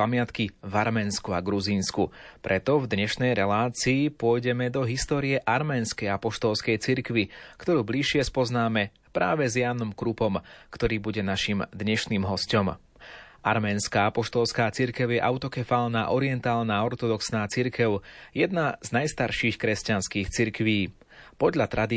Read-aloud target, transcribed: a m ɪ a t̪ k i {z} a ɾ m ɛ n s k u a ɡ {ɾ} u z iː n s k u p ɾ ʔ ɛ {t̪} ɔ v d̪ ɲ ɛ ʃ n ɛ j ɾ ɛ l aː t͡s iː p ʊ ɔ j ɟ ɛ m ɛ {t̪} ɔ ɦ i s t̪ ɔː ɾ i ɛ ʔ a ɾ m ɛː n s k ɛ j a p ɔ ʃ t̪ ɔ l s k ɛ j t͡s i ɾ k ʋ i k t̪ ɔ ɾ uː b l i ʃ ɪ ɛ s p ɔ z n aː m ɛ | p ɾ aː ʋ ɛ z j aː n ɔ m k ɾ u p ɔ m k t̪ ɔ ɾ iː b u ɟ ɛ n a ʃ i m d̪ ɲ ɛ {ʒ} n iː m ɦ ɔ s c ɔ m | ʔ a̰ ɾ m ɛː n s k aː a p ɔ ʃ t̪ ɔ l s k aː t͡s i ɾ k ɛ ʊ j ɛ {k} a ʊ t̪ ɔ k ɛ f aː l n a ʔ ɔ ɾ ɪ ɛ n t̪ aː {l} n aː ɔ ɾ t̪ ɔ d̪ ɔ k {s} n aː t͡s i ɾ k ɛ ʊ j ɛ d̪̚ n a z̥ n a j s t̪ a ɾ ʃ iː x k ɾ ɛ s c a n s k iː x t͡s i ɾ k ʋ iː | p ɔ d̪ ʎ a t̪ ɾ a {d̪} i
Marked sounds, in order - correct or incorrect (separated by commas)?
incorrect, correct, correct, incorrect, incorrect, incorrect, correct, correct, correct